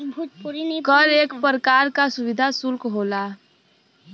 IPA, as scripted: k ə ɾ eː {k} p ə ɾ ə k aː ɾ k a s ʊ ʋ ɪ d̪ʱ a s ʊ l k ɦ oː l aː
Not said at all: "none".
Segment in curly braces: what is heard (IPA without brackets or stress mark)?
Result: k